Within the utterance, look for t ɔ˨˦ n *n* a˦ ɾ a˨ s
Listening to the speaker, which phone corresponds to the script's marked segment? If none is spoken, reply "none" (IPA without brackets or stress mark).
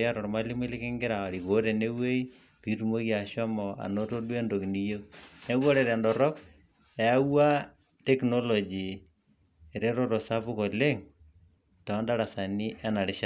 d